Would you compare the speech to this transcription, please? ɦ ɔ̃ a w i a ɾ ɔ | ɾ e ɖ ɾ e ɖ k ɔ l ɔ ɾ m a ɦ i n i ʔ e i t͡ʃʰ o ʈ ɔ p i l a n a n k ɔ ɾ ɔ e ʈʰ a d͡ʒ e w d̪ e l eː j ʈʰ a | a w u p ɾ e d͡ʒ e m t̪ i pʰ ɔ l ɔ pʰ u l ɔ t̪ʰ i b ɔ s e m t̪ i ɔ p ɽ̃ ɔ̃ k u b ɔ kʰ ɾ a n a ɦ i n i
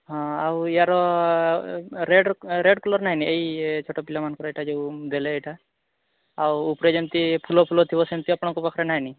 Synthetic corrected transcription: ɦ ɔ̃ a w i a ɾ ɔ | ɾ e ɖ ɾ e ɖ k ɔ l ɔ ɾ n a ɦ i n i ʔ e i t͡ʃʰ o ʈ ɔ p i l a m a n k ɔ ɾ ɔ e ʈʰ a d͡ʒ e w d̪ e l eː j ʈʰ a | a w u p ɾ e d͡ʒ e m t̪ i pʰ u l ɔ pʰ u l ɔ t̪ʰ i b ɔ s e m t̪ i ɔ p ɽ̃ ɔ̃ k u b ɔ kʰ ɾ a n a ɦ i n i

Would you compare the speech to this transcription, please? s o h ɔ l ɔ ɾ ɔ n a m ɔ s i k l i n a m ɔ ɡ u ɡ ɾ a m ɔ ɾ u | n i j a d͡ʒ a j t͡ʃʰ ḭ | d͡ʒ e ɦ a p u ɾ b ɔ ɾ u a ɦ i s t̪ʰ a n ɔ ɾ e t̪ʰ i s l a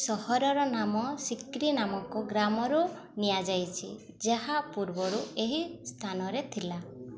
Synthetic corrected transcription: s ɔ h ɔ ɾ ɔ ɾ ɔ n a m ɔ s i k ɾ i n a m ɔ k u ɡ ɾ a m ɔ ɾ u | n i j a d͡ʒ a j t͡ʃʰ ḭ | d͡ʒ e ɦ a p u ɾ b ɔ ɾ u e ɦ i s t̪ʰ a n ɔ ɾ e t̪ʰ i l a

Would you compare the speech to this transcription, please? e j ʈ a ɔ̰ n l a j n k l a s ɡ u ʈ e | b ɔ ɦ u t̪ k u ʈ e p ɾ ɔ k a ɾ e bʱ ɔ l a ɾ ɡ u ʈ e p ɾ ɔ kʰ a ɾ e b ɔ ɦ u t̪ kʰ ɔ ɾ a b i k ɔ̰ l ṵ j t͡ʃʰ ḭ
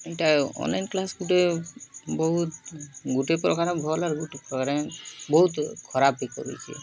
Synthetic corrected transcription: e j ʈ a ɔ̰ n l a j n k l a s ɡ u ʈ e | b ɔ ɦ u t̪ ɡ u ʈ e p ɾ ɔ k a ɾ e bʱ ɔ l a ɾ ɡ u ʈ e p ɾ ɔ k a ɾ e b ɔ ɦ u t̪ kʰ ɔ ɾ a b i k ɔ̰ ɾ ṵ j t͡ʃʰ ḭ

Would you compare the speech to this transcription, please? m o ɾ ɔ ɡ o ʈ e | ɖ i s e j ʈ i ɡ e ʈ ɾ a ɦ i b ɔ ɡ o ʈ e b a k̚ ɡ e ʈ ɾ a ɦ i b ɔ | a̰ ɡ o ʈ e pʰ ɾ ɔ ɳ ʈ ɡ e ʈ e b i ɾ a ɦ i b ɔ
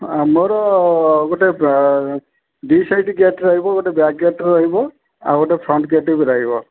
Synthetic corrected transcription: m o ɾ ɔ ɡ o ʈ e | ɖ i s a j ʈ i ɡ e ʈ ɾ a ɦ i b ɔ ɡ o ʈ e b a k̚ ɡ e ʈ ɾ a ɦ i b ɔ | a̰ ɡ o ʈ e pʰ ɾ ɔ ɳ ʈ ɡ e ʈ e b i ɾ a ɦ i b ɔ

